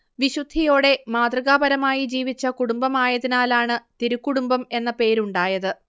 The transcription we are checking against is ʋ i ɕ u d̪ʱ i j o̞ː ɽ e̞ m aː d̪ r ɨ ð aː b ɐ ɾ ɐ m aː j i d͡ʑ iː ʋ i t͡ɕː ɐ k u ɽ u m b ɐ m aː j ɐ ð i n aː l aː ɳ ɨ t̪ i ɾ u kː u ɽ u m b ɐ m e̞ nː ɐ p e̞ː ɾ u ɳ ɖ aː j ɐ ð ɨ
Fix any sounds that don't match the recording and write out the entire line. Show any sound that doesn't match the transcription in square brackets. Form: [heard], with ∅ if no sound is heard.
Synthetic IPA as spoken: ʋ i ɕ u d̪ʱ i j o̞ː ɽ e̞ m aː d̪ r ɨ [ɣ] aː b ɐ ɾ ɐ m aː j i d͡ʑ iː ʋ i t͡ɕː ɐ k u ɽ u m b ɐ m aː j ɐ ð i n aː l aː ɳ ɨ t̪ i ɾ u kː u ɽ u m b ɐ m e̞ nː ɐ p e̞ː ɾ u ɳ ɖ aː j ɐ ð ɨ